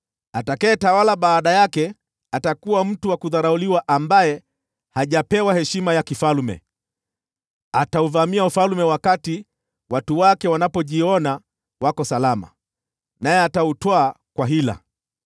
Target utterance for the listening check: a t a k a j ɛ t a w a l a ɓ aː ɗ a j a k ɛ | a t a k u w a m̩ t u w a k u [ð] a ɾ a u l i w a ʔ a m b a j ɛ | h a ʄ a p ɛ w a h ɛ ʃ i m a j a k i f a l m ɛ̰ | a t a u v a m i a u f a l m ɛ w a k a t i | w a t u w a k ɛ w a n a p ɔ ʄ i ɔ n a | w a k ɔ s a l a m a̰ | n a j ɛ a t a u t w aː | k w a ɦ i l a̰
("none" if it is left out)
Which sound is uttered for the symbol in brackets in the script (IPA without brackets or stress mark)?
ð